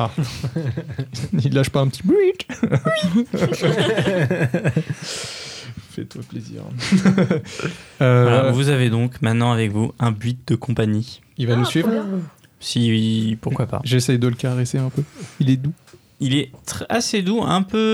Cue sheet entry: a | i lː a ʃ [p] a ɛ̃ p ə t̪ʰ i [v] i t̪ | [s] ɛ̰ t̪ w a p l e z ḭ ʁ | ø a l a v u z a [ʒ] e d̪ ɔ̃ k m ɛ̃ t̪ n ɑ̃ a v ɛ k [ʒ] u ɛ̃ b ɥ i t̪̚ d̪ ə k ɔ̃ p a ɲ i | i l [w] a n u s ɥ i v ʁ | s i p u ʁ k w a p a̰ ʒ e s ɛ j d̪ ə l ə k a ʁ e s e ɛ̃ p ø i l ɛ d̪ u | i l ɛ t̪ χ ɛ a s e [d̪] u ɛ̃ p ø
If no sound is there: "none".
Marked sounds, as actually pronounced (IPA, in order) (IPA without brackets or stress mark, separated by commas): p, b, f, v, v, v, d̪